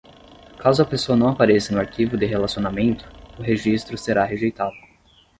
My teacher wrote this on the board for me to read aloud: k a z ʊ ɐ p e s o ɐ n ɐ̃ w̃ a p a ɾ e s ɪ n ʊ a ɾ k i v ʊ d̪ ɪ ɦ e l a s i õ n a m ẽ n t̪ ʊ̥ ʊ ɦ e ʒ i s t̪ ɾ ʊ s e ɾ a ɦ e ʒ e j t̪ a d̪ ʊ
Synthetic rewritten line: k a z ʊ ɐ p e s o ɐ n ɐ̃ w̃ a p a ɾ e s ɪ n ʊ a ɾ k i v ʊ d̪ ɪ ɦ e l a s i o n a m ẽ n t̪ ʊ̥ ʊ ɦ e ʒ i s t̪ ɾ ʊ s e ɾ a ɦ e ʒ e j t̪ a d̪ ʊ